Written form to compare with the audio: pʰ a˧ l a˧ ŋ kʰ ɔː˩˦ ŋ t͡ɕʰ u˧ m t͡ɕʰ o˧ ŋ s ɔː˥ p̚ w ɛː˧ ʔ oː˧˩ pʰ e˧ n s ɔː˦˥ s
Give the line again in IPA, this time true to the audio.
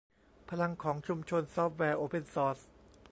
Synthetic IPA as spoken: pʰ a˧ l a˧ ŋ kʰ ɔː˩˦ ŋ t͡ɕʰ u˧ m t͡ɕʰ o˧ n s ɔː˥ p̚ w ɛː˧ ʔ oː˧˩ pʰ e˧ n s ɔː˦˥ s